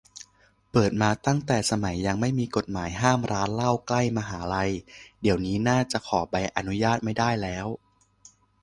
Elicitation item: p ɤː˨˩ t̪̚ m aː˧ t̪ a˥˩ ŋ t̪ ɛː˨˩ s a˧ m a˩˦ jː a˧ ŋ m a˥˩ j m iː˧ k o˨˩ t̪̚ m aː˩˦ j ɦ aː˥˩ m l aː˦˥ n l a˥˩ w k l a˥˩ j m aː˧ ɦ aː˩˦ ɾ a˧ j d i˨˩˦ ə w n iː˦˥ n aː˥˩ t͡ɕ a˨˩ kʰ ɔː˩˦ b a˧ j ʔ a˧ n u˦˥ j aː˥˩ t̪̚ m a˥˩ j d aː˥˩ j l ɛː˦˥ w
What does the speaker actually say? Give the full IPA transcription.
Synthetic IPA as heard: p ɤː˨˩ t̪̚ m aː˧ t̪ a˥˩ ŋ t̪ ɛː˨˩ s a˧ m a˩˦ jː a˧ ŋ m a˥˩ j m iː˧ k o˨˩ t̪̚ m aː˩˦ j ɦ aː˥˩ m ɾ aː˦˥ n l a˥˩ w k l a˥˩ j m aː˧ ɦ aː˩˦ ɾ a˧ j d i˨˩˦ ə w n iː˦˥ n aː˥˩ t͡ɕ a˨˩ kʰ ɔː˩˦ b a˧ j ʔ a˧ n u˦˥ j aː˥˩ t̪̚ m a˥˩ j d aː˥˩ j l ɛː˦˥ w

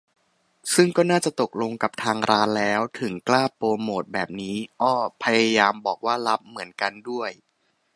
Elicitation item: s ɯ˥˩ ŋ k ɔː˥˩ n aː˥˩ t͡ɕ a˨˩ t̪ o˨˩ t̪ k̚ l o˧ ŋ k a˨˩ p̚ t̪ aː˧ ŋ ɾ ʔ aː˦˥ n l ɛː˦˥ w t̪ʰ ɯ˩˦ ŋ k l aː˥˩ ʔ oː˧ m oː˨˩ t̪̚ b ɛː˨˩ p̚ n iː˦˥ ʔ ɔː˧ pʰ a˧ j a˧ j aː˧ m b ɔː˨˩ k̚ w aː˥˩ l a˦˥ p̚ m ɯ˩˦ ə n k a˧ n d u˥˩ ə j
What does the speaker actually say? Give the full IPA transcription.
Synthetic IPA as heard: s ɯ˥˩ ŋ k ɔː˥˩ n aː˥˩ t͡ɕ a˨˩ t̪ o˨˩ k̚ l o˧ ŋ k a˨˩ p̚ t̪ʰ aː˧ ŋ ɾ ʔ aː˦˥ n l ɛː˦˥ w t̪ʰ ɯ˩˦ ŋ k l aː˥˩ p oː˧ m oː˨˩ t̪̚ b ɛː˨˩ p̚ n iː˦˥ ʔ ɔː˥˩ pʰ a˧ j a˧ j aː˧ m b ɔː˨˩ k̚ w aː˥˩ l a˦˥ p̚ m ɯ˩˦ ə n k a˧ n d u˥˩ ə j

